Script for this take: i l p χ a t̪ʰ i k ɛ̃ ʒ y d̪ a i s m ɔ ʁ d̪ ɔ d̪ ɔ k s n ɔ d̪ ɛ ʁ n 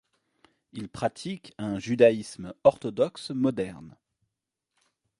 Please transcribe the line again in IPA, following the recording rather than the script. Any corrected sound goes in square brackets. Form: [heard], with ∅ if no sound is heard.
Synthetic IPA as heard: i l p χ a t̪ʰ i k ɛ̃ ʒ y d̪ a i s m ɔ ʁ [t̪] ɔ d̪ ɔ k s [m] ɔ d̪ ɛ ʁ n